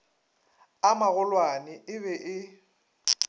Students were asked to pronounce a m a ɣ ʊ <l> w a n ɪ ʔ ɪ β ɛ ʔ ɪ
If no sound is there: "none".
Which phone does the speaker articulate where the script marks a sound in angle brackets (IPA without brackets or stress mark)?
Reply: l